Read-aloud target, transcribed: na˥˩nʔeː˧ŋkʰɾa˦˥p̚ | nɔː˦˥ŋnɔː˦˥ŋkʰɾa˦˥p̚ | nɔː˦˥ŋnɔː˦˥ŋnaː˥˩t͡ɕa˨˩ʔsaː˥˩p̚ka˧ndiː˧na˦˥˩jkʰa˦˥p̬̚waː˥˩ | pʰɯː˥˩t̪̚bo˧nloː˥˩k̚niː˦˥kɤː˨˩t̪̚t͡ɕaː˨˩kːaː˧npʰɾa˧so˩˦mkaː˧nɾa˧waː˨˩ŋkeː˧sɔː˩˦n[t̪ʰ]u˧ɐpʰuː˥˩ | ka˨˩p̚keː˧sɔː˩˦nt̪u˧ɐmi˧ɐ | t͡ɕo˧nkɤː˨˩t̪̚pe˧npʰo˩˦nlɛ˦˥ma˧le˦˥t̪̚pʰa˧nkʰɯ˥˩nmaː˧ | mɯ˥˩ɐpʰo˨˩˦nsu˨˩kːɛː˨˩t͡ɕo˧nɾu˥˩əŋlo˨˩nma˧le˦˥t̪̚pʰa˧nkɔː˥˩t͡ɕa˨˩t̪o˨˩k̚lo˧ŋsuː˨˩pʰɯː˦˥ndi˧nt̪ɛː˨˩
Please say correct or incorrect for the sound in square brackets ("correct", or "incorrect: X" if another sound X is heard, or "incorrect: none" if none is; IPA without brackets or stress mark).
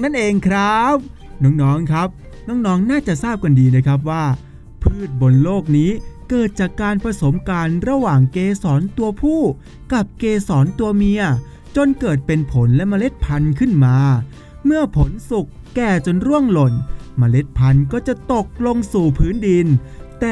incorrect: t̪